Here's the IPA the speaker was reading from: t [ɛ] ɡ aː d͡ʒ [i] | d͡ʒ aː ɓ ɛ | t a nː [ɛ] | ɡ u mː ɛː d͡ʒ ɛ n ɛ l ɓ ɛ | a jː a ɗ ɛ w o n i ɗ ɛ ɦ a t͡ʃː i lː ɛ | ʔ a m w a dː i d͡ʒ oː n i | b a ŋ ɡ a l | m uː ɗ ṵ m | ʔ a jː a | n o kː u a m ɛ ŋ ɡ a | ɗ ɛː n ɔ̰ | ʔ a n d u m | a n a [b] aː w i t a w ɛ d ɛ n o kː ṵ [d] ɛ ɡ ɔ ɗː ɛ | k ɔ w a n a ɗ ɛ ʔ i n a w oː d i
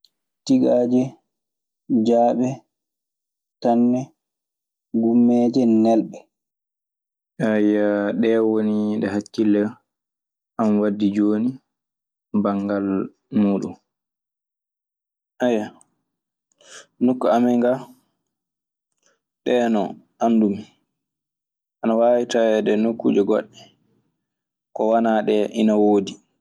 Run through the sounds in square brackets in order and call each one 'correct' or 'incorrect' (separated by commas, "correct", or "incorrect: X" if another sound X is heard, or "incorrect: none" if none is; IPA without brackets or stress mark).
incorrect: i, incorrect: ɛ, correct, incorrect: w, incorrect: d͡ʒ